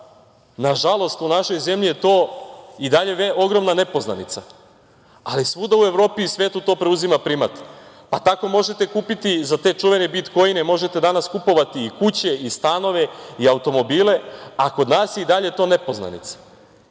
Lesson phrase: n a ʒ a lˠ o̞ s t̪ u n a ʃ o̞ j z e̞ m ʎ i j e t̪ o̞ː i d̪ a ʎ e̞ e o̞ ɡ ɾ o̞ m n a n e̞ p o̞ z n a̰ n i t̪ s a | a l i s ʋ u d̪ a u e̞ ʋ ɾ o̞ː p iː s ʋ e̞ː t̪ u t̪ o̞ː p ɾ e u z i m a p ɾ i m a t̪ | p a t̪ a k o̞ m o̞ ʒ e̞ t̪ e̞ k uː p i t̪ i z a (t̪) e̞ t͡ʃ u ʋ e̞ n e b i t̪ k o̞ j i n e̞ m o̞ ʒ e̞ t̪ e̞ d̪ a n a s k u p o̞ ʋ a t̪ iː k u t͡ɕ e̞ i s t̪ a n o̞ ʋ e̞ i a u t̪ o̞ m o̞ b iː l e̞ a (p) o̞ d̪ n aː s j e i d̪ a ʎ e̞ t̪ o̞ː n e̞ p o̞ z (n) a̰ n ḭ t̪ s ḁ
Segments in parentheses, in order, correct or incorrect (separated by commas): correct, incorrect, correct